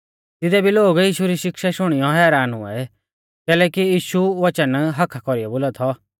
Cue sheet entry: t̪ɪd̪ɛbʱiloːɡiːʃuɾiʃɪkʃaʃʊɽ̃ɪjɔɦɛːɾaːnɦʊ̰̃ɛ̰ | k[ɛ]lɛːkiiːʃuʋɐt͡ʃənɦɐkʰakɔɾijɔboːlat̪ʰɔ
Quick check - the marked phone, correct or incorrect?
incorrect